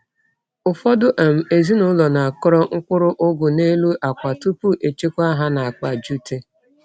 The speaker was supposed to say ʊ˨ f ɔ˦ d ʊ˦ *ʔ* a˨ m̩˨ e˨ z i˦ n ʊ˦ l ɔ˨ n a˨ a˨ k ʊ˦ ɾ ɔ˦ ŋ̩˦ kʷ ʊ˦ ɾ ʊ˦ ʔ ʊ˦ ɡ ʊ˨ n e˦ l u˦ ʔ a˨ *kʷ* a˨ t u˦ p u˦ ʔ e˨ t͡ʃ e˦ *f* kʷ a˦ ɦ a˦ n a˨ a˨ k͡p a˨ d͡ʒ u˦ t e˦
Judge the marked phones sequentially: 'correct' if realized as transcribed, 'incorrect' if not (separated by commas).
correct, correct, incorrect